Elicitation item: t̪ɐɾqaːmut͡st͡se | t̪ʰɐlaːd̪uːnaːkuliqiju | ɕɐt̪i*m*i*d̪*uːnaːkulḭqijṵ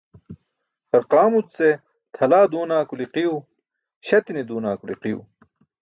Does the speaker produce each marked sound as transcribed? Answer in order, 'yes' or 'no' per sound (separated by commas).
no, yes